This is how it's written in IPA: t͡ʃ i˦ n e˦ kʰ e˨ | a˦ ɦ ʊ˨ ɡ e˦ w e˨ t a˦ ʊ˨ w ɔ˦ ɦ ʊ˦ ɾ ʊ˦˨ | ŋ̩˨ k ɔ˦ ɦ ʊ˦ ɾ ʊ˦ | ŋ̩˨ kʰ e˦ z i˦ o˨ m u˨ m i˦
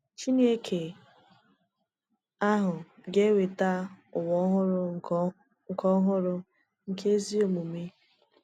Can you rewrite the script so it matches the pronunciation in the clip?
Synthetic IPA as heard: t͡ʃ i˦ n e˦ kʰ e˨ | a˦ ɦ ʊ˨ ɡ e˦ w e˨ t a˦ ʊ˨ w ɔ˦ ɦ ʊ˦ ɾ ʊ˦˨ | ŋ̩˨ k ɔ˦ ɦ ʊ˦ ɾ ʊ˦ | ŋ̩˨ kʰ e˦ z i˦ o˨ m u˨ m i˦